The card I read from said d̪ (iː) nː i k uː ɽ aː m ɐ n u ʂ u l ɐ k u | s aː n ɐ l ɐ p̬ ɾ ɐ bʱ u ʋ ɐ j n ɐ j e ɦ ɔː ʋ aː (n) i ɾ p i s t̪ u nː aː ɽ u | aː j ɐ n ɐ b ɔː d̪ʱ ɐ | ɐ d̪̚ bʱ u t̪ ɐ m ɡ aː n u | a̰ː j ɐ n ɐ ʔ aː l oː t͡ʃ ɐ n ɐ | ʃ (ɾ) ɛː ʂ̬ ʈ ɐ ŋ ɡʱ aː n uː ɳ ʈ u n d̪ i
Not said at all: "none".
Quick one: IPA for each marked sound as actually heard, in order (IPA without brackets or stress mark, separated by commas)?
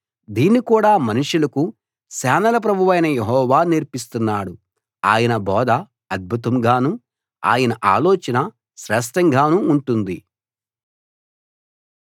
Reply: iː, n, ɾ